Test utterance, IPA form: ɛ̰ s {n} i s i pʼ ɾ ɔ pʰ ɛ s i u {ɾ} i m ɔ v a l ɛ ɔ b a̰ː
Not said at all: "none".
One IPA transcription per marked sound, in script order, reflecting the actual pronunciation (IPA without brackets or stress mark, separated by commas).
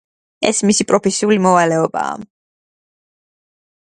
m, l